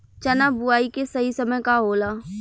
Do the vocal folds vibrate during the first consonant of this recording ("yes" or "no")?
no